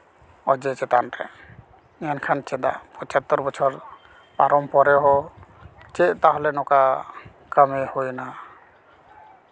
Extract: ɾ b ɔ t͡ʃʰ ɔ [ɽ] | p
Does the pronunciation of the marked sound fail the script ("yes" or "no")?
yes